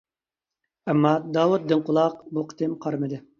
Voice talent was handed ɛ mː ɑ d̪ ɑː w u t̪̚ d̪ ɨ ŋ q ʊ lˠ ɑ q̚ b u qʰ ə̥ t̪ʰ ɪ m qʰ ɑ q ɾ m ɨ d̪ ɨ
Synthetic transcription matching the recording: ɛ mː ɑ d̪ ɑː w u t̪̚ d̪ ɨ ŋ q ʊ lˠ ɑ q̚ b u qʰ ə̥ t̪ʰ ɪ m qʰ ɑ ɾ m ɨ d̪ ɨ